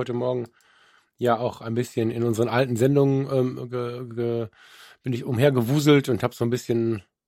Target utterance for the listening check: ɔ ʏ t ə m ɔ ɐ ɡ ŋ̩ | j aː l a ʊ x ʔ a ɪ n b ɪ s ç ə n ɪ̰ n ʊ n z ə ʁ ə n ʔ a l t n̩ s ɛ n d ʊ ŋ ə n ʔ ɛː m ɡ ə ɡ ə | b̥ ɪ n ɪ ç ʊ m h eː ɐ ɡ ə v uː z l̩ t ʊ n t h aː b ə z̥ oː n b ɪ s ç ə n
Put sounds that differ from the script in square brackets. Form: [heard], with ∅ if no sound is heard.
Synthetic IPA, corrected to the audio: ɔ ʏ t ə m ɔ ɐ ɡ ŋ̩ | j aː [∅] a ʊ x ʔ a ɪ n b ɪ s ç ə n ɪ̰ n ʊ n z ə ʁ ə n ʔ a l t n̩ [z] ɛ n d ʊ ŋ ə n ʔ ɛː m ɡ ə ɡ ə | b̥ ɪ n ɪ ç ʊ m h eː ɐ ɡ ə v uː z l̩ t ʊ n t h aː b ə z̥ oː n b ɪ s ç ə n